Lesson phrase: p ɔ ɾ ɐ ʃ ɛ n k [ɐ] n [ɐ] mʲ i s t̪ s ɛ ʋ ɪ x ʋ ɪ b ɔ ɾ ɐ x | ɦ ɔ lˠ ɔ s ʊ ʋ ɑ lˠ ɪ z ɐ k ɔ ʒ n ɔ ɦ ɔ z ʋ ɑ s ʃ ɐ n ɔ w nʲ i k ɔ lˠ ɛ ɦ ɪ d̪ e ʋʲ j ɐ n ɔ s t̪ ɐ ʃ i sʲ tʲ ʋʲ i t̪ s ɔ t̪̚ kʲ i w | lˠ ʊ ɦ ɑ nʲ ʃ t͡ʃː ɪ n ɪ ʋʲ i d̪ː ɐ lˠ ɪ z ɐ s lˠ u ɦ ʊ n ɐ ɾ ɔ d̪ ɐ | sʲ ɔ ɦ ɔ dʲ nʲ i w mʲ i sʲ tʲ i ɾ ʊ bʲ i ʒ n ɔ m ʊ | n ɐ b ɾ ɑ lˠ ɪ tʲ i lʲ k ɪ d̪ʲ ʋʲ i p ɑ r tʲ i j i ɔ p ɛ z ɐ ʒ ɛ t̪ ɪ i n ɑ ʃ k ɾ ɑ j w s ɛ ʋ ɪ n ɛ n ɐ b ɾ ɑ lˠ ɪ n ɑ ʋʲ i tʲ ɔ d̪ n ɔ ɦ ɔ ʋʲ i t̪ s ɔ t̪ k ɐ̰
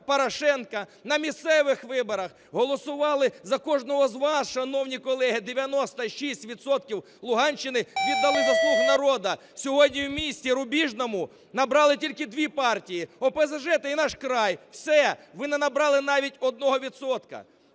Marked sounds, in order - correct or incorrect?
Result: correct, correct

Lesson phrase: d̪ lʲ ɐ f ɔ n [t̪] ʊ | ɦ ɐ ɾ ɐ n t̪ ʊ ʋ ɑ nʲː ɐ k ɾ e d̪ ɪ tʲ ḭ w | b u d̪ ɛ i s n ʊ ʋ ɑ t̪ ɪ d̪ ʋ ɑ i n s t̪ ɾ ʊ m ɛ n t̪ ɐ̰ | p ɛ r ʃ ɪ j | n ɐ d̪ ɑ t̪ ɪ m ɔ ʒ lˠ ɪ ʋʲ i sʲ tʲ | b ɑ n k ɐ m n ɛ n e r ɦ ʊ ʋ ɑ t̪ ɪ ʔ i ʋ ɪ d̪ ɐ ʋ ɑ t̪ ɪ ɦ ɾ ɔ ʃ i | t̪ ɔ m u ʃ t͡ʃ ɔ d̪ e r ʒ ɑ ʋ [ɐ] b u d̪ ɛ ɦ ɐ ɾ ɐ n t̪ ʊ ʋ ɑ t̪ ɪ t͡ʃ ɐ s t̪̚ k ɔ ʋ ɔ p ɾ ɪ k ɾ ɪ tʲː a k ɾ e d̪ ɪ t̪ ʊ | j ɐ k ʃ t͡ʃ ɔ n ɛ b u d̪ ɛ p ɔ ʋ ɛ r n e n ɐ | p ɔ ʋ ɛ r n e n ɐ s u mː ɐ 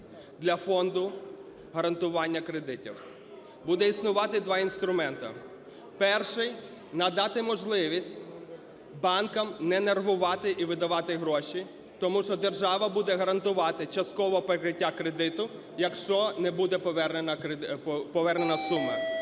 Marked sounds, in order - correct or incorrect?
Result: incorrect: d̪, correct

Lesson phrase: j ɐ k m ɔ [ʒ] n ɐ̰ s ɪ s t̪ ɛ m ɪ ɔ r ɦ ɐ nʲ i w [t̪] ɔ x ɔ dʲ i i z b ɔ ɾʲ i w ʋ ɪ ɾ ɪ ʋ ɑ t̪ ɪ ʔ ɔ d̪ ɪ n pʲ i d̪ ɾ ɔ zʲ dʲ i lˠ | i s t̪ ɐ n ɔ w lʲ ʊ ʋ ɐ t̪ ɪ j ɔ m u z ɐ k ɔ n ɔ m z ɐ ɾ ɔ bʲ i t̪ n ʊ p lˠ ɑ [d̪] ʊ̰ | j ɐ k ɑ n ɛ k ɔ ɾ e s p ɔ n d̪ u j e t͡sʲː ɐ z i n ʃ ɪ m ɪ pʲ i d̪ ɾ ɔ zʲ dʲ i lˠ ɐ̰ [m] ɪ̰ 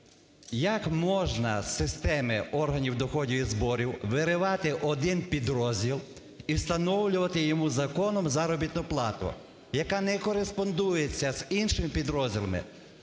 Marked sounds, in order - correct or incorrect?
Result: correct, incorrect: d̪, incorrect: t̪, correct

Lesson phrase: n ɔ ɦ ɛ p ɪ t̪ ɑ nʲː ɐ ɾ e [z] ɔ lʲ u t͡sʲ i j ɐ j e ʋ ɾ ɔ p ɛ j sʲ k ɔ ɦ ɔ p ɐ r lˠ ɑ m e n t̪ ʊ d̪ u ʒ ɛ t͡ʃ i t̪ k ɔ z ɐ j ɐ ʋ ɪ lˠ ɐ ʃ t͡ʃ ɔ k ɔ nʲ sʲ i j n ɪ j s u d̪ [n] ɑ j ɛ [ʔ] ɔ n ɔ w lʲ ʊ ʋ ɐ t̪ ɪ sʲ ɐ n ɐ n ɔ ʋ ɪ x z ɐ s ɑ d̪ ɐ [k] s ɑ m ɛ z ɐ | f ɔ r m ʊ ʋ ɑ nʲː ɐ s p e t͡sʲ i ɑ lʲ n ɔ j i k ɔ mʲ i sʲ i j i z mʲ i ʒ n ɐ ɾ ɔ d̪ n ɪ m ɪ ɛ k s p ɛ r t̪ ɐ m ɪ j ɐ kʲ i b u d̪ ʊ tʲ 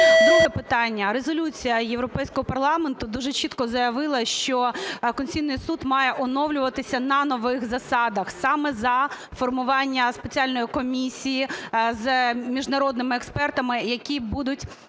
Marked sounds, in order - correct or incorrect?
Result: correct, incorrect: m, correct, incorrect: x

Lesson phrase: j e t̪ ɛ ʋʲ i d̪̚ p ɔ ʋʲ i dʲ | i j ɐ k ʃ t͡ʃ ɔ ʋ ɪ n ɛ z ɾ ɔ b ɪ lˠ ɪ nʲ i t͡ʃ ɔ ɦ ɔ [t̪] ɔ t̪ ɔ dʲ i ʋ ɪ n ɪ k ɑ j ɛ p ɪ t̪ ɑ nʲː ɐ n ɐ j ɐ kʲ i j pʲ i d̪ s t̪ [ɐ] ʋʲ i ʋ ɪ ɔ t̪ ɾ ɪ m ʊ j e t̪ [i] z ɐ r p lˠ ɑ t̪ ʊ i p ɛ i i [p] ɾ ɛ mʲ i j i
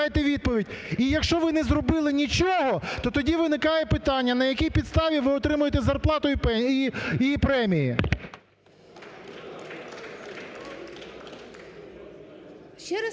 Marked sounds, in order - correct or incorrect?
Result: correct, incorrect: ɑ, incorrect: ɛ, correct

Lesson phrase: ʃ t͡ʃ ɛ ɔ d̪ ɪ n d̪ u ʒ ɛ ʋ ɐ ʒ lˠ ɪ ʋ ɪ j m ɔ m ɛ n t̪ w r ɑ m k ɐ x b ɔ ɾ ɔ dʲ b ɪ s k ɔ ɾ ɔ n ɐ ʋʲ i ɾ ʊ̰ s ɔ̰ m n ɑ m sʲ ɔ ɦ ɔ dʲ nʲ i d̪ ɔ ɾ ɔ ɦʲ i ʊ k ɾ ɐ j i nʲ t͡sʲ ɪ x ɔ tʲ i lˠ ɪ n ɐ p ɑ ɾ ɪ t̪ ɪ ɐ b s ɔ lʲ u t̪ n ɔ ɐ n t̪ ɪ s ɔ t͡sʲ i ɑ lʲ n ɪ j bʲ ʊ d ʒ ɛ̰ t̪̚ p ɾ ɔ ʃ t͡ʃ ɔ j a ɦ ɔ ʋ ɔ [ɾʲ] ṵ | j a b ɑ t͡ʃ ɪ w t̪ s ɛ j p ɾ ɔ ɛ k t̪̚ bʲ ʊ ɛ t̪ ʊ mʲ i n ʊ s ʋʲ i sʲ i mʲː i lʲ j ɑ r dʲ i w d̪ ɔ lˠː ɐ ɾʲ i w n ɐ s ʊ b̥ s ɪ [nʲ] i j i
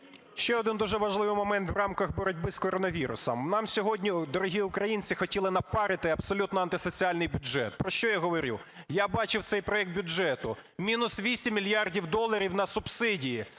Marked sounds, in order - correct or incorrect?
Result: correct, incorrect: dʲ

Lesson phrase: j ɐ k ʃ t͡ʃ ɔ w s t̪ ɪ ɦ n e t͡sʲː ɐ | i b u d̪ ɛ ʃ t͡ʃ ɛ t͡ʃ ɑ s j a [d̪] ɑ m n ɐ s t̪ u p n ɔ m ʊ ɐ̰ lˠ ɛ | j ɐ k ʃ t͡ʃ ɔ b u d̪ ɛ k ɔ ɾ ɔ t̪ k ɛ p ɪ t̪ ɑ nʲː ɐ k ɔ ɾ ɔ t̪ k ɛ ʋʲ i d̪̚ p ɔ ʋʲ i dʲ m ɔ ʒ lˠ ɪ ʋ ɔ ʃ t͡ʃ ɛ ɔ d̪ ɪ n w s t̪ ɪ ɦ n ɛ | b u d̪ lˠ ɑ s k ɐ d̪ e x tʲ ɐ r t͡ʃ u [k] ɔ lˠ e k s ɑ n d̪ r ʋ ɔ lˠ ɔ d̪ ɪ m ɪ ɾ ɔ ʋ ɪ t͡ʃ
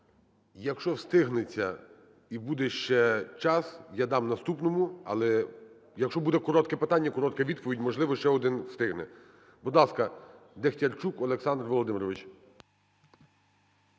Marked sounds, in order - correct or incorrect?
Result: correct, correct

